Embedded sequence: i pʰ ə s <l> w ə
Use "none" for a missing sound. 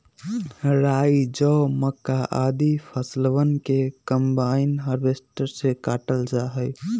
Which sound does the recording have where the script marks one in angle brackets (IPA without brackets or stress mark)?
l